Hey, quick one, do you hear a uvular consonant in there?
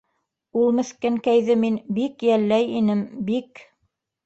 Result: no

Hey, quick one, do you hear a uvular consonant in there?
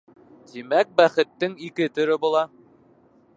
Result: yes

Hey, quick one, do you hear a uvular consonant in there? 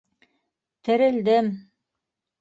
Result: no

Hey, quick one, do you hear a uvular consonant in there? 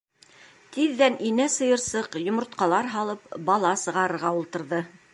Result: yes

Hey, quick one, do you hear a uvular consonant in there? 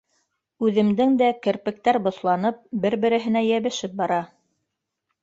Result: no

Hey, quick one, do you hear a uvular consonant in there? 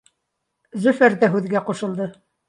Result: yes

